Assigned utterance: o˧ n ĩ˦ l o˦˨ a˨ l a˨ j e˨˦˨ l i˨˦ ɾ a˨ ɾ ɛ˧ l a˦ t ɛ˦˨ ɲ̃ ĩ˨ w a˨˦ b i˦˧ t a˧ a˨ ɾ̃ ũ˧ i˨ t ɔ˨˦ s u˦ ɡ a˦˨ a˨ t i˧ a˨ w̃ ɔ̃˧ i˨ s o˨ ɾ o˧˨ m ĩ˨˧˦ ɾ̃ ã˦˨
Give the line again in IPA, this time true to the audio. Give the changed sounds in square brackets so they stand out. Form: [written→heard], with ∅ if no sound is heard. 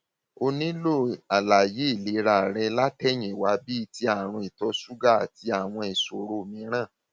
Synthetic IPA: o˧ n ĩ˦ l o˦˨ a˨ l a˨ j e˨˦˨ l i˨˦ ɾ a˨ ɾ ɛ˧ l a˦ t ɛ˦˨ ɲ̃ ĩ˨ w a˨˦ b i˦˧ t [a˧→i˧] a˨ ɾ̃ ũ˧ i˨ t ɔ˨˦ s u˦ ɡ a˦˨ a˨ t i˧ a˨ w̃ ɔ̃˧ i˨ s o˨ ɾ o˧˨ m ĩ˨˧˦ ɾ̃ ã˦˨

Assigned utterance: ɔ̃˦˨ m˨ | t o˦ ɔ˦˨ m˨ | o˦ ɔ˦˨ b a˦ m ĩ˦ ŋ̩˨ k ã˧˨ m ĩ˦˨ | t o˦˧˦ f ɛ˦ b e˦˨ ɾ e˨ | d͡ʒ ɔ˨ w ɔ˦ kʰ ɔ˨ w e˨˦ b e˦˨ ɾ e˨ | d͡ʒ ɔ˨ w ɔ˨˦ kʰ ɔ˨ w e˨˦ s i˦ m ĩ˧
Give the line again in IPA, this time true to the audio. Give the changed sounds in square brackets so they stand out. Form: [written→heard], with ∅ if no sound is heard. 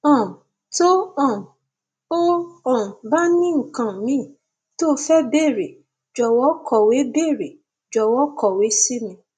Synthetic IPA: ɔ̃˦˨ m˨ | t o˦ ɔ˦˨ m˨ | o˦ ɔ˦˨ b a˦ [m→n] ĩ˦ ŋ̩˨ k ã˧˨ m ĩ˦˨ | t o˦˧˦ f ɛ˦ b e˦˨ ɾ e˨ | d͡ʒ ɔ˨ w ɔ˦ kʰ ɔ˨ w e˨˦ b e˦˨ ɾ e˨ | d͡ʒ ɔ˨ w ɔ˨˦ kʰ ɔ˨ w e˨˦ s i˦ m ĩ˧

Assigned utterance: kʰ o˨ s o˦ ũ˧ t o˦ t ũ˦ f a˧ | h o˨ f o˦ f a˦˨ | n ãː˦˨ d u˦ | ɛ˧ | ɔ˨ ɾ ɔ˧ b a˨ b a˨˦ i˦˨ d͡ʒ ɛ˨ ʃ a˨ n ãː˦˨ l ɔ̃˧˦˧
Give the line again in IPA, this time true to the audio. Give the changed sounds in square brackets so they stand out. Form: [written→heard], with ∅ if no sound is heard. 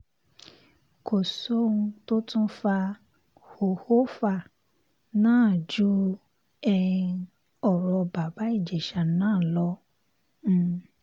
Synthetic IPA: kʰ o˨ s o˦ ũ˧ t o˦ t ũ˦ f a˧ | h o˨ [f→h] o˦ f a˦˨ | n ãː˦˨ [d→d͡ʒ] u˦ | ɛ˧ | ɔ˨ ɾ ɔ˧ b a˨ b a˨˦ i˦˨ d͡ʒ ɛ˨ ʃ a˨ n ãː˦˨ l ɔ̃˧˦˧

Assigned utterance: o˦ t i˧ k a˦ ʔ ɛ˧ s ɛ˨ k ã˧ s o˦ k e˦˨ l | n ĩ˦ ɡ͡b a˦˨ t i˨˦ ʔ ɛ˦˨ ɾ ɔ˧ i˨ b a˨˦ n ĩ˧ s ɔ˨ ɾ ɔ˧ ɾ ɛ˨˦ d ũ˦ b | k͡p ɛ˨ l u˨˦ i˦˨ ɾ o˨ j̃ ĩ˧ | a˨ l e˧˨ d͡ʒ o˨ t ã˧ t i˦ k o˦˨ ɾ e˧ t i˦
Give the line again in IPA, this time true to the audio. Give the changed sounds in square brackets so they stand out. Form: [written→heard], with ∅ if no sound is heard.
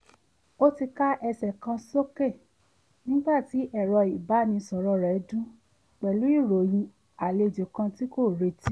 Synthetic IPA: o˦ t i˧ k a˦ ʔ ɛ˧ s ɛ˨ k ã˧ s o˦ k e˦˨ [l→∅] | n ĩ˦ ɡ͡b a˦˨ t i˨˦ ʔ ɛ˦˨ ɾ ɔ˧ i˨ b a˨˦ n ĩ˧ s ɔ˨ ɾ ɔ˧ ɾ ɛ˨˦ d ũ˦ [b→∅] | k͡p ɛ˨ l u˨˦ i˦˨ ɾ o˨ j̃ ĩ˧ | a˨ l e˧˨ d͡ʒ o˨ [t→k] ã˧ t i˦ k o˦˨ ɾ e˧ t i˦

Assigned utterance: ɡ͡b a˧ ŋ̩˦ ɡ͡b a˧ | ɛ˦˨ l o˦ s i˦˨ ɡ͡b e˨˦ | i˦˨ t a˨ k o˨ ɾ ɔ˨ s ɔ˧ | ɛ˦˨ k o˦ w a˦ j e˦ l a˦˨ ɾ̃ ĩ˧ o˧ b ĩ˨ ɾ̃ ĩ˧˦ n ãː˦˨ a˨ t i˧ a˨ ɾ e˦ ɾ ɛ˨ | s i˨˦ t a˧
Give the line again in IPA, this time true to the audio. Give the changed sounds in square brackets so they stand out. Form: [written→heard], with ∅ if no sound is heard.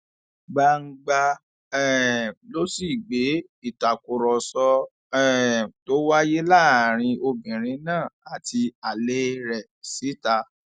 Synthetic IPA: ɡ͡b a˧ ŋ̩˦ ɡ͡b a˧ | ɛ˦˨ l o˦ s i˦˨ ɡ͡b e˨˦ | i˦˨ t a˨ k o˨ ɾ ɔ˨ s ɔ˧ | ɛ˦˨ [k→t] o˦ w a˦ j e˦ l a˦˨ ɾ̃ ĩ˧ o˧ b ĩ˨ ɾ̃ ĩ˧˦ n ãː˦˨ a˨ t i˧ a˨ [ɾ→l] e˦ ɾ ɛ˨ | s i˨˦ t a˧

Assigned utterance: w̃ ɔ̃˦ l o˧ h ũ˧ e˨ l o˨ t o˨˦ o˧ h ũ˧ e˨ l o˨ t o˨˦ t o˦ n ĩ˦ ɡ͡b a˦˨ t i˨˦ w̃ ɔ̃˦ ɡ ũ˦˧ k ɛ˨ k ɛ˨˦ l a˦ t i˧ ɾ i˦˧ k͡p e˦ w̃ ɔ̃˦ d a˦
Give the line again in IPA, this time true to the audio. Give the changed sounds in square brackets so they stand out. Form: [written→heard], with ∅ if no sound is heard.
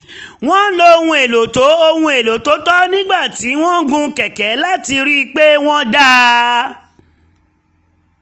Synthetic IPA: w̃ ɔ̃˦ l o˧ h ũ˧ e˨ l o˨ t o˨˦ o˧ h ũ˧ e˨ l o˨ t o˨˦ t [o˦→ɔ˦] n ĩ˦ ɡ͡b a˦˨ t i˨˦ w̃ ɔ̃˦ ɡ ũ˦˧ k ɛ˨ k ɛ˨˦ l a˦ t i˧ ɾ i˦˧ k͡p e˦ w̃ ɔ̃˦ d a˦

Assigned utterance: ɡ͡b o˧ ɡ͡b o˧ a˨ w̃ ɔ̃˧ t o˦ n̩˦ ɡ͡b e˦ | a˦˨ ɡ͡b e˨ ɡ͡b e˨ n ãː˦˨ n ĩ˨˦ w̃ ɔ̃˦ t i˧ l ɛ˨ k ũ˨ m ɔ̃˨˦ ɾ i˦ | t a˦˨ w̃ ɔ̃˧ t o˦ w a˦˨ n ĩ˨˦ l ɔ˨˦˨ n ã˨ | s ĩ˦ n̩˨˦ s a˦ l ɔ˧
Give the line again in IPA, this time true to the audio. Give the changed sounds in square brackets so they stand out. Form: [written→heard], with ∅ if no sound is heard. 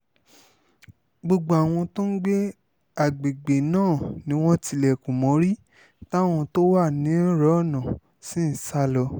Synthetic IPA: ɡ͡b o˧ ɡ͡b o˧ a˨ w̃ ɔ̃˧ t o˦ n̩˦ ɡ͡b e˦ | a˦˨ ɡ͡b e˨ ɡ͡b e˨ n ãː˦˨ n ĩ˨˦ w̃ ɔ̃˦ t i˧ l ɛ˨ k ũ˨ m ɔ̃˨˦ ɾ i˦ | t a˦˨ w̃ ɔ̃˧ t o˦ w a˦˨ n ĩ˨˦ [l→ɾ] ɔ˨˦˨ n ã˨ | s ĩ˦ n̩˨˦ s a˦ l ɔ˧

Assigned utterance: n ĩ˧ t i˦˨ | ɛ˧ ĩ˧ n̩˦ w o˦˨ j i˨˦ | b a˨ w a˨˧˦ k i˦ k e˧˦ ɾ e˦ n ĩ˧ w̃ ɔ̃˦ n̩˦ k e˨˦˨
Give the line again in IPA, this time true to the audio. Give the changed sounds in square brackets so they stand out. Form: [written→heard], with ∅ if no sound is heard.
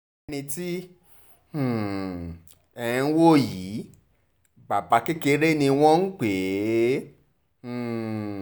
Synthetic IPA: n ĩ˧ t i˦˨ | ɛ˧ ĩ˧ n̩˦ w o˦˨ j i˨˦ | b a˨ [w→b] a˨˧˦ k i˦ k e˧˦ ɾ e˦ n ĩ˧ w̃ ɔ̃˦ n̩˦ [k→k͡p] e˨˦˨

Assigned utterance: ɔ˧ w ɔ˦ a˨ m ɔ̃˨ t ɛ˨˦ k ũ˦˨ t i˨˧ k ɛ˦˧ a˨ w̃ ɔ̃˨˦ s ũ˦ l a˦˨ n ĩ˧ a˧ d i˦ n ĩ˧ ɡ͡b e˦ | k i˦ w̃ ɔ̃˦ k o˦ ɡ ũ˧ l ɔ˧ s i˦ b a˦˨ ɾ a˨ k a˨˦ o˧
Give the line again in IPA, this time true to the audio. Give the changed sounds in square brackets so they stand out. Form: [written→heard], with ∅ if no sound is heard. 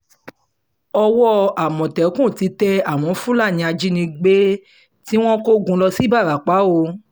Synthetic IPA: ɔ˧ w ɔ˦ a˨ m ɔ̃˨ t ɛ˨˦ k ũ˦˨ t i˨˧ [k→t] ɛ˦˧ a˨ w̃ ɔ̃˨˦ [s→f] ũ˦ l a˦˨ n ĩ˧ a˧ [d→d͡ʒ] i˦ n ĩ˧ ɡ͡b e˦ | [k→t] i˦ w̃ ɔ̃˦ k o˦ ɡ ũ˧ l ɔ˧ s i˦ b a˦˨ ɾ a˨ [k→k͡p] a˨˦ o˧

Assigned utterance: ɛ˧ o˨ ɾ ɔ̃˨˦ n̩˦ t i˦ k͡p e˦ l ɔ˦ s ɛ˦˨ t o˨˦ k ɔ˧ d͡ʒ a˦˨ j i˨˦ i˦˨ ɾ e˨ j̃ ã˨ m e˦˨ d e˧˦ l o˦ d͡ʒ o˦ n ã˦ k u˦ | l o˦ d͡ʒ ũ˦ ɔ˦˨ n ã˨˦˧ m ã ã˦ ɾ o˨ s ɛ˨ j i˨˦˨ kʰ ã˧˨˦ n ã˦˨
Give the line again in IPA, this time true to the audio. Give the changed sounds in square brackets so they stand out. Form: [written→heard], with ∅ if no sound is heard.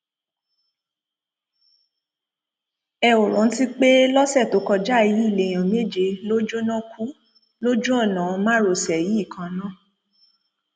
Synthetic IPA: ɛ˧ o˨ ɾ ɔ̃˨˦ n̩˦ t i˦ k͡p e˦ l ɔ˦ s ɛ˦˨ t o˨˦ k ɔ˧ d͡ʒ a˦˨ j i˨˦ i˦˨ [ɾ→l] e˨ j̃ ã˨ m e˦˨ [d→d͡ʒ] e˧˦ l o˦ d͡ʒ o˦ n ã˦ k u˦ | l o˦ d͡ʒ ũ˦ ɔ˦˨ n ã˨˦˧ m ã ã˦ ɾ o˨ s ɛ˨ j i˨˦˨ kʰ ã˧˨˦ n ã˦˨

